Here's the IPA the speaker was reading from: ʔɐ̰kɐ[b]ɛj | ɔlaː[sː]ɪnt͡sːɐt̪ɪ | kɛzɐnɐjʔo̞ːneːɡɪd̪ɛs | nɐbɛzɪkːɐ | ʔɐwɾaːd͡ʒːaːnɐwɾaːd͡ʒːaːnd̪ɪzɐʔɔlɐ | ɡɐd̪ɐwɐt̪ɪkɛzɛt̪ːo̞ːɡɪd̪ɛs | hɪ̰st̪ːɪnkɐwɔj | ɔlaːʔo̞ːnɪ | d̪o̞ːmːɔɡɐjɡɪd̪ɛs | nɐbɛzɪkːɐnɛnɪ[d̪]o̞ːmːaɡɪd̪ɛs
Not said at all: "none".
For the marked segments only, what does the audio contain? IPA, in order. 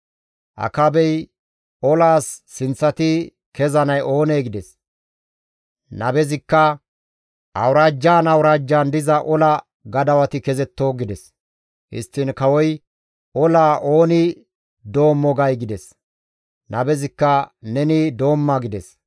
b, sː, d̪

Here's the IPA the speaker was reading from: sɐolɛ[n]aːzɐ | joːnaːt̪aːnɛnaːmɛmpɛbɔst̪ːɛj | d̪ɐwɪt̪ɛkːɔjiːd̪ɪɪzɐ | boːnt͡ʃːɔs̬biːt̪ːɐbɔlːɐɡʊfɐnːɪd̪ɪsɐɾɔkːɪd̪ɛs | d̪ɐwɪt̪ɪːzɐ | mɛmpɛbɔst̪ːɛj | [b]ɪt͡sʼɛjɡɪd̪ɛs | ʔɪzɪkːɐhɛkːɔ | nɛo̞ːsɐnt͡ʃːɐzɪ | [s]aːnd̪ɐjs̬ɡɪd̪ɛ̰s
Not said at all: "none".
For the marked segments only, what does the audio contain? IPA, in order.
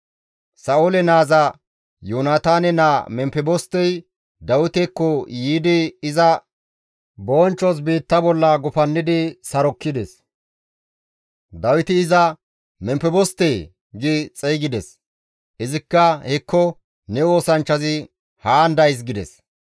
n, ɡ, h

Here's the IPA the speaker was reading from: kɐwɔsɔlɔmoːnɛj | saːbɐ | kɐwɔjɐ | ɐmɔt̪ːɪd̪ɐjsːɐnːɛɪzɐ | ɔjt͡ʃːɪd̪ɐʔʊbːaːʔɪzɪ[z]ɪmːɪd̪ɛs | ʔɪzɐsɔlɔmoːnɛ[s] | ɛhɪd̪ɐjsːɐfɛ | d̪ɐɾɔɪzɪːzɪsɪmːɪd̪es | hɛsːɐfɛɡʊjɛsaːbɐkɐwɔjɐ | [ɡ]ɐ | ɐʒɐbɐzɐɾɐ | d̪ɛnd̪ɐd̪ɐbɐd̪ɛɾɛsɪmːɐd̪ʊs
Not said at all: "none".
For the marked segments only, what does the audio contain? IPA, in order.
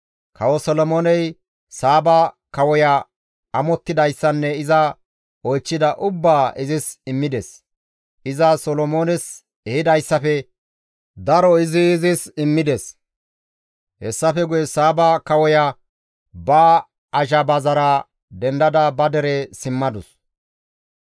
s, s, b

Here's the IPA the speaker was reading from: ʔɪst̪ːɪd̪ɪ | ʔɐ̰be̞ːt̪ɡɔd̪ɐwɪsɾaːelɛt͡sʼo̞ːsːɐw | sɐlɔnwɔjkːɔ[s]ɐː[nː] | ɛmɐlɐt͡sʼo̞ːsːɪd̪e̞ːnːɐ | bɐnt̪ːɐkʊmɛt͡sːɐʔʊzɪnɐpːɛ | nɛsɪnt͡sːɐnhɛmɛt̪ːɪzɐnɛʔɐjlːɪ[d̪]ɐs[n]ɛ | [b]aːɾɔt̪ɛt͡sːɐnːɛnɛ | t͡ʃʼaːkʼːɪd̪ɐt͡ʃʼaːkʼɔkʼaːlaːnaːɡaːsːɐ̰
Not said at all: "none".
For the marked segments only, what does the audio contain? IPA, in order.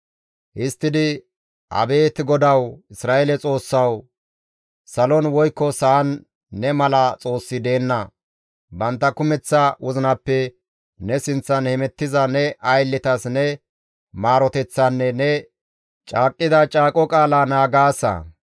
s, nː, t̪, n, m

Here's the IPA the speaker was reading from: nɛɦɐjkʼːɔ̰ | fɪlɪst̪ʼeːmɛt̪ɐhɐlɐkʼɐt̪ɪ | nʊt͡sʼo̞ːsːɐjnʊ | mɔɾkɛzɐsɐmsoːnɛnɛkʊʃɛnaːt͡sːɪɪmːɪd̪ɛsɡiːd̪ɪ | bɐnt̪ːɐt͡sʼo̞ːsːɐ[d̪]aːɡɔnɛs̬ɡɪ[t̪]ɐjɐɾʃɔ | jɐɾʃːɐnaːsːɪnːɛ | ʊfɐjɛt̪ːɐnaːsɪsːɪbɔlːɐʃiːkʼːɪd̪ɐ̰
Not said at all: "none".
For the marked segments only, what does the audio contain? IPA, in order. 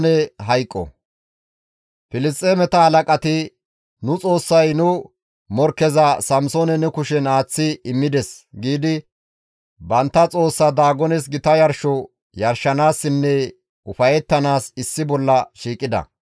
d̪, t̪

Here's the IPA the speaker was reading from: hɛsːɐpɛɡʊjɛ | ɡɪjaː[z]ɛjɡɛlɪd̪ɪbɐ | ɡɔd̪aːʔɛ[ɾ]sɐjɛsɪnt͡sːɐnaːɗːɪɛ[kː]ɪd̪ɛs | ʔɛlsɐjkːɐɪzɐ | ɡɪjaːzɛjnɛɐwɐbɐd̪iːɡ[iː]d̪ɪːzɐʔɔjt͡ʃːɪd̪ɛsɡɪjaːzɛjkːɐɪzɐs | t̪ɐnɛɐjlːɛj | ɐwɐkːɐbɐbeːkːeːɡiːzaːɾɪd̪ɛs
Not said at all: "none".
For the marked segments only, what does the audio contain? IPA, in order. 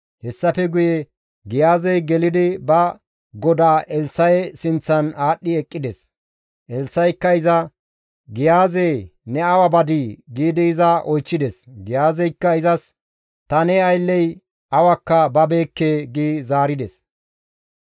z, l, kʼː, iː

